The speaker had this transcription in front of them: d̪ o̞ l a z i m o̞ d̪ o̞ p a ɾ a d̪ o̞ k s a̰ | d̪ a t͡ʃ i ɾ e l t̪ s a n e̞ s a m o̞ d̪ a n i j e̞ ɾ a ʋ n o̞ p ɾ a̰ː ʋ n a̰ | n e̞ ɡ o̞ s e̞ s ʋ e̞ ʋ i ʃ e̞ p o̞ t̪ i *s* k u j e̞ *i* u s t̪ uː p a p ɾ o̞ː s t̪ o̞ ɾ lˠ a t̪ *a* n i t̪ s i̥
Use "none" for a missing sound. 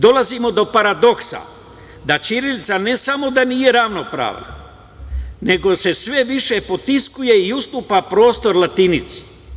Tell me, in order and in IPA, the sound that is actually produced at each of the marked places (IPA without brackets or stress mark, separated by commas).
s, i, i